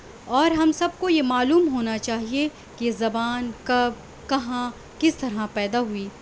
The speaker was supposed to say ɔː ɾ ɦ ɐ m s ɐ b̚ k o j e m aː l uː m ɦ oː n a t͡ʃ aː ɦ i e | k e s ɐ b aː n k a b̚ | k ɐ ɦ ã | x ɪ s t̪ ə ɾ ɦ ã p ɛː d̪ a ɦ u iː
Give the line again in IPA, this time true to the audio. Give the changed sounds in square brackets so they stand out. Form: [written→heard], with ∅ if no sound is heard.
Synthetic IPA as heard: ɔː ɾ ɦ ɐ m s ɐ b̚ k o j e m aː l uː m ɦ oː n a t͡ʃ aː ɦ i e | k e [s→z] ɐ b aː n k [a→ɐ] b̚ | k ɐ ɦ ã | [x→k] ɪ s t̪ [ə→ɐ] ɾ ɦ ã p ɛː d̪ a ɦ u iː